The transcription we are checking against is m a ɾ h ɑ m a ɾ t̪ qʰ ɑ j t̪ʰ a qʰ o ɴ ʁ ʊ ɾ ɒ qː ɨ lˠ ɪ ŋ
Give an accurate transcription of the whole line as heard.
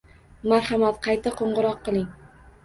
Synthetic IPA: m a ɾ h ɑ m a t̪ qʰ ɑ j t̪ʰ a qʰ o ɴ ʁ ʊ ɾ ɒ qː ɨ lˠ ɪ ŋ

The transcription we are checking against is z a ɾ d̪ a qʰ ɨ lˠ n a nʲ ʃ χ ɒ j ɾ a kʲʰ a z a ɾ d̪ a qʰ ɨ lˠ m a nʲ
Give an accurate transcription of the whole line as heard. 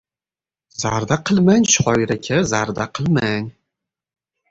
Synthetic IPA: z a ɾ d̪ a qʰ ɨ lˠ m a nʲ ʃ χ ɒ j ɾ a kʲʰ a z a ɾ d̪ a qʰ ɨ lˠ m a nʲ

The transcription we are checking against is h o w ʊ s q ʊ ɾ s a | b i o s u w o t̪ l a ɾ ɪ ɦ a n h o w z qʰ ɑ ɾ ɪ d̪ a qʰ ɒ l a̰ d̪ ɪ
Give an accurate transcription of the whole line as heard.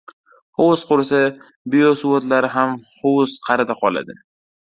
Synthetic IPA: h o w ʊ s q ʊ ɾ s a | b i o s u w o t̪ l a ɾ ɪ ɦ a m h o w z qʰ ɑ ɾ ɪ d̪ a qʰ ɒ l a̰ d̪ ɪ

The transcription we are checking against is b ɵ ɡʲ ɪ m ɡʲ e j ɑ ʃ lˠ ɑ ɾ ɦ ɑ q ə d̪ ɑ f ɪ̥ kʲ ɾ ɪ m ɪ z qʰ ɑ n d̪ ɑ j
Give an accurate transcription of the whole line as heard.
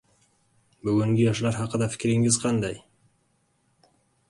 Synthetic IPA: b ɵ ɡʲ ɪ ŋ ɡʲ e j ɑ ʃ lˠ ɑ ɾ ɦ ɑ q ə d̪ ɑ f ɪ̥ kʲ ɾ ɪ ŋ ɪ z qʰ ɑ n d̪ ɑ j

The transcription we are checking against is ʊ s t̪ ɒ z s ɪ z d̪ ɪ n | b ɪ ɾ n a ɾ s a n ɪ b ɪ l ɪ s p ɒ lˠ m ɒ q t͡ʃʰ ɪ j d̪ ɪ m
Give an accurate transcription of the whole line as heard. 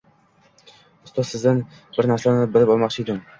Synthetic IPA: ʊ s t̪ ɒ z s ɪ z d̪ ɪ n | b ɪ ɾ n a ɾ s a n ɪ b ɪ l ɪ p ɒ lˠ m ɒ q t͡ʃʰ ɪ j d̪ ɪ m

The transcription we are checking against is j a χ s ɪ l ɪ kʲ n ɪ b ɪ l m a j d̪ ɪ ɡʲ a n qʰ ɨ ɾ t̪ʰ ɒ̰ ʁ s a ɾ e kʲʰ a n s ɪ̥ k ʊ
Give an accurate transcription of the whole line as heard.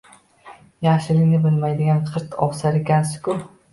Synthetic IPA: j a χ ʃ ɪ l ɪ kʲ n ɪ b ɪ l m a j d̪ ɪ ɡʲ a n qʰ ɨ ɾ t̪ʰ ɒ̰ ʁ s a ɾ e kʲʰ a n s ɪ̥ k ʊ

